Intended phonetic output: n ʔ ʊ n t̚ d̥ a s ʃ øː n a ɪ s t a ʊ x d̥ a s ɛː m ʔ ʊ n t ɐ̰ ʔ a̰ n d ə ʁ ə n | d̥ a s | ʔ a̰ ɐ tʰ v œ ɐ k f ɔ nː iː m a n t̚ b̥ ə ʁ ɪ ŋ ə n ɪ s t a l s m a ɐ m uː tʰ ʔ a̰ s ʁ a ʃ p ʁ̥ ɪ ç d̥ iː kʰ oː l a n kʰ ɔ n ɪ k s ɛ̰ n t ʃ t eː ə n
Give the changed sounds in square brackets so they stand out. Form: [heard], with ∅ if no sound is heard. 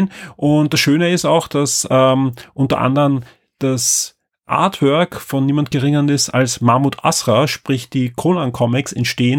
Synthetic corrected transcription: n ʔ ʊ n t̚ d̥ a s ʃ øː n [ə] ɪ s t a ʊ x d̥ a s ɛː m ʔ ʊ n t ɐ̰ ʔ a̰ n d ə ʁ ə n | d̥ a s | ʔ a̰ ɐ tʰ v œ ɐ k f ɔ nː iː m a n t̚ [ɡ̥] ə ʁ ɪ ŋ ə n ɪ s t a l s m a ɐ m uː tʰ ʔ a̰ s ʁ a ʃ p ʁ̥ ɪ ç d̥ iː kʰ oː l a n kʰ ɔ [m] ɪ k s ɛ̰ n t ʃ t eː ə n